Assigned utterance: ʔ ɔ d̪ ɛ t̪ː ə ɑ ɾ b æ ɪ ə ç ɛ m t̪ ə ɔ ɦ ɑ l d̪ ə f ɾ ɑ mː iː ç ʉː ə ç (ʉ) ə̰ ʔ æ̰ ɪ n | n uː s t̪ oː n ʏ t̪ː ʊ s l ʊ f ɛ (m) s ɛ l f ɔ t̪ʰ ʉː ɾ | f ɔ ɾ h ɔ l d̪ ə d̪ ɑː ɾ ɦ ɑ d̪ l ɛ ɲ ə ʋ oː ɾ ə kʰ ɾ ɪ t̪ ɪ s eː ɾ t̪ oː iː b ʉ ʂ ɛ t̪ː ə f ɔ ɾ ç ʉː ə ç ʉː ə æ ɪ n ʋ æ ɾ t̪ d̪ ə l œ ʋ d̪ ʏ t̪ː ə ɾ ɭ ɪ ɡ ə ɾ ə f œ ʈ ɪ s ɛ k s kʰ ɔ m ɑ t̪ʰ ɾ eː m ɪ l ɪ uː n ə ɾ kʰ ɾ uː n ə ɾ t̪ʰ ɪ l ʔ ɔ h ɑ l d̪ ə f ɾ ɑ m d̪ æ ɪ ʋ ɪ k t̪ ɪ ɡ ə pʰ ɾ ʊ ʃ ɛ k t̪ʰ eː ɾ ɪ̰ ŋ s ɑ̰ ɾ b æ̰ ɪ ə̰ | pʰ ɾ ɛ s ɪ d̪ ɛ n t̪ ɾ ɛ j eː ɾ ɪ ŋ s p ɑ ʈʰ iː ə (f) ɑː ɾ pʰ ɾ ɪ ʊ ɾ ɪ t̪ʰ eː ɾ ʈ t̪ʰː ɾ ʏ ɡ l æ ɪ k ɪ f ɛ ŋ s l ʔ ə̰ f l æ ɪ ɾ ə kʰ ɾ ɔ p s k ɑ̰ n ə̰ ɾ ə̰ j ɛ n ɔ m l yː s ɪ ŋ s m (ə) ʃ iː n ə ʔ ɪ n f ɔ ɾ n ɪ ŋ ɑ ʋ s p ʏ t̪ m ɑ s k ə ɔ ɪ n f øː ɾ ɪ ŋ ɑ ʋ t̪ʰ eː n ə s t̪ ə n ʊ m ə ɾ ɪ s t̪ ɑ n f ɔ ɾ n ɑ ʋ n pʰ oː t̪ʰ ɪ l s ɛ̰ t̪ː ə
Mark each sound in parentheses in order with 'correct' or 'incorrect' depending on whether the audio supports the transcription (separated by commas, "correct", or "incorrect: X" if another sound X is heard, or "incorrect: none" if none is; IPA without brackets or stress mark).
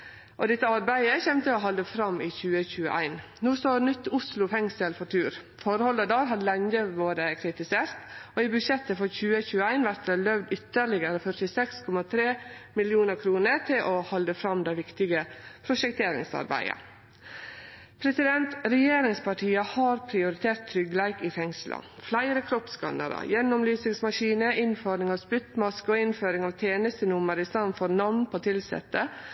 incorrect: ʉː, incorrect: ŋ, incorrect: h, incorrect: ɑ